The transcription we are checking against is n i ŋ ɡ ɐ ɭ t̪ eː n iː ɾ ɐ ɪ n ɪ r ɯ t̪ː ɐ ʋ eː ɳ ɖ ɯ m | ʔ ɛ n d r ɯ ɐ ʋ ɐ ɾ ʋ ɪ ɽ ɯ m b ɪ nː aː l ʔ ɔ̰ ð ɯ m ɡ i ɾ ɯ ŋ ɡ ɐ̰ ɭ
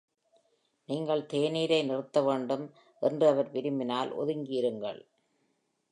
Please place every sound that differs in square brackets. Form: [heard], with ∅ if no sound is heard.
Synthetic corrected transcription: n [iː] ŋ ɡ ɐ ɭ t̪ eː n iː ɾ ɐ ɪ n ɪ r ɯ t̪ː ɐ ʋ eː ɳ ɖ ɯ m | ʔ ɛ n d r ɯ ɐ ʋ ɐ ɾ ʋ ɪ [ɾ] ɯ m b ɪ [n] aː l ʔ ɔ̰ ð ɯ [ŋ] ɡ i ɾ ɯ ŋ ɡ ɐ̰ ɭ